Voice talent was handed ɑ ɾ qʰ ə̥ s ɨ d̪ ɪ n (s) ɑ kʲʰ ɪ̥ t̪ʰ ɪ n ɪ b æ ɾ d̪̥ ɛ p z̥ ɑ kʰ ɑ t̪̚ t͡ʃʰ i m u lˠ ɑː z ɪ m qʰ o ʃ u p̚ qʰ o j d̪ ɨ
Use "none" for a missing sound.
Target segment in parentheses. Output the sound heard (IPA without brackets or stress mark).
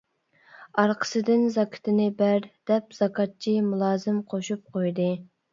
z